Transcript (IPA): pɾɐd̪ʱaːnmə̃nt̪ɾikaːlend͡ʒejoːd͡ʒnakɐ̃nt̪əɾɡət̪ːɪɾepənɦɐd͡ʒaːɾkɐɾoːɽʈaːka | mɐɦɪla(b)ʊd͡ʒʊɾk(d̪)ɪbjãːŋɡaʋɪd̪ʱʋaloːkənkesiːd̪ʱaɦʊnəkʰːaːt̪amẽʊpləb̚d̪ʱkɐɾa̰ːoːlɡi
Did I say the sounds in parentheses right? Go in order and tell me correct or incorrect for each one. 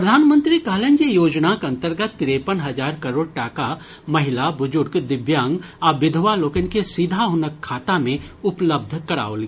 correct, correct

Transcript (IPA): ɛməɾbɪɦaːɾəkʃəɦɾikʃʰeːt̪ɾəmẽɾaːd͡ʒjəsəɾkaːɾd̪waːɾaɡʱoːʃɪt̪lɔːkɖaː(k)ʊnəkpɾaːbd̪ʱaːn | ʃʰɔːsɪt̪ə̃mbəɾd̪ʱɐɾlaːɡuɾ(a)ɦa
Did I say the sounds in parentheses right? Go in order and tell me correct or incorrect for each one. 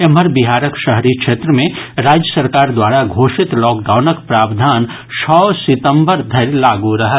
incorrect: none, incorrect: ɐ

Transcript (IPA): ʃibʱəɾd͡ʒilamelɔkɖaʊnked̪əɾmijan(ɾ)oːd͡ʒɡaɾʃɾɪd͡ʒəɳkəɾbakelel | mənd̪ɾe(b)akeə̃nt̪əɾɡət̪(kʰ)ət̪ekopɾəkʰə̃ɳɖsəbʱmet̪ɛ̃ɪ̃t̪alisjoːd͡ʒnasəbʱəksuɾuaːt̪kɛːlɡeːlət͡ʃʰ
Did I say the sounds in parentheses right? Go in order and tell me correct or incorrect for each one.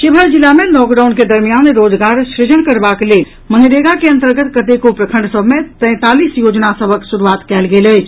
correct, incorrect: ɡ, incorrect: k

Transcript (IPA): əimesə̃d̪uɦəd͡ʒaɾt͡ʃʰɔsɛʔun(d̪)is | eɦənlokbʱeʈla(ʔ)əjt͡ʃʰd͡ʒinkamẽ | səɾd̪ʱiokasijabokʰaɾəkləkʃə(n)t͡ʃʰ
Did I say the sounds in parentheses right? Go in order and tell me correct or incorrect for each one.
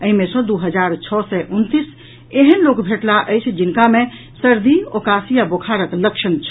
incorrect: t̪, correct, correct

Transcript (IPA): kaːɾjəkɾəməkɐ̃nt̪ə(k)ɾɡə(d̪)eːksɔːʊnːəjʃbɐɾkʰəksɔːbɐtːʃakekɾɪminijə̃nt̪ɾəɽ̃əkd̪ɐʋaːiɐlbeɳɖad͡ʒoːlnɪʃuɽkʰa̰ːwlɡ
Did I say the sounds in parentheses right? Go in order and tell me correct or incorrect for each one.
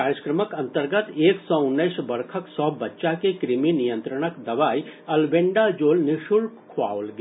incorrect: none, incorrect: t̪

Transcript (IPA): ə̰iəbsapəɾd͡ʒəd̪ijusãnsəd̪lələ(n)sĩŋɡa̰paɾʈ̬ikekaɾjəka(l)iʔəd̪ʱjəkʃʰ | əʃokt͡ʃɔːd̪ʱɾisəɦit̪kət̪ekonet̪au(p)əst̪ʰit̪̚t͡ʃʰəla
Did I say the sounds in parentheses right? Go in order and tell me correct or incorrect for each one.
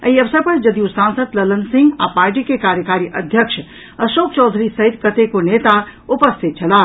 correct, incorrect: ɾ, correct

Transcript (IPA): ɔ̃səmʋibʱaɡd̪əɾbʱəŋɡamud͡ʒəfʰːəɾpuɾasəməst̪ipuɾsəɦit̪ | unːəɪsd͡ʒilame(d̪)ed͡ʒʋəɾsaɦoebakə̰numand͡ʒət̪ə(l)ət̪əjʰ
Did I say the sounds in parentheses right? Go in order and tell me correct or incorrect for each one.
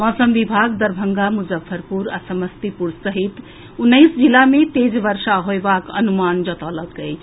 incorrect: t̪, correct

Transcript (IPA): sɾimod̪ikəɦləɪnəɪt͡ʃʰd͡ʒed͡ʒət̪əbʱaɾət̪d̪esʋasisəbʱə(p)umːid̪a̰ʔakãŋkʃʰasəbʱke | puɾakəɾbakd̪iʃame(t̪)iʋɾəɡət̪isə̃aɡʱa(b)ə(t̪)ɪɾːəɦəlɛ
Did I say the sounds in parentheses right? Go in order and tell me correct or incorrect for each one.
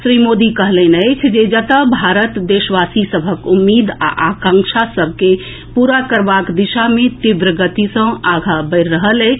incorrect: k, correct, correct, incorrect: none

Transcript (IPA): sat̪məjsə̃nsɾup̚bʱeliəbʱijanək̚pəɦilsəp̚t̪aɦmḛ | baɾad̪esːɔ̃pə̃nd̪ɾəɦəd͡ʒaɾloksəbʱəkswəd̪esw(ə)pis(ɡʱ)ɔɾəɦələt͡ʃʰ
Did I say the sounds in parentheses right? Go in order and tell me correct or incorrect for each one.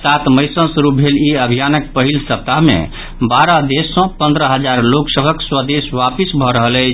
incorrect: a, incorrect: bʱ

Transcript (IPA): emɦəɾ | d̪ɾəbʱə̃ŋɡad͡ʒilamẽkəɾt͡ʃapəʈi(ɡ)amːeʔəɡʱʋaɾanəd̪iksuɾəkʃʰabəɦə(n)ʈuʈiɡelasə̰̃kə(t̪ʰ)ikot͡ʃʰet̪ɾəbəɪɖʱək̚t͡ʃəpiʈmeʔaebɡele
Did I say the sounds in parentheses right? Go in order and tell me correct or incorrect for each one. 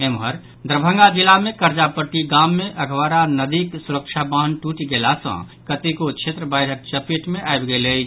correct, correct, incorrect: t̪

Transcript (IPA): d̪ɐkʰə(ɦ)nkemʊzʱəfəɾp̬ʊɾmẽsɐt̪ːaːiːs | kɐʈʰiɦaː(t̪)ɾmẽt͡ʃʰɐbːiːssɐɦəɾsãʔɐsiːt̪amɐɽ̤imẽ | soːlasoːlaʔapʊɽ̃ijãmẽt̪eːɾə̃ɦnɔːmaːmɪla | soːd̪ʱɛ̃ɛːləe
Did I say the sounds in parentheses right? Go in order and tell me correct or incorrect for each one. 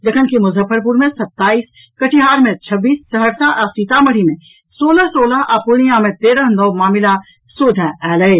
incorrect: none, incorrect: none

